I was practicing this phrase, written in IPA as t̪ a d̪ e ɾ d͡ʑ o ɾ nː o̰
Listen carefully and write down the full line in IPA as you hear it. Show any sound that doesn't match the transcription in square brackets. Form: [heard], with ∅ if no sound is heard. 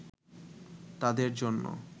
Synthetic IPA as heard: t̪ a d̪ e ɾ d͡ʑ o [∅] nː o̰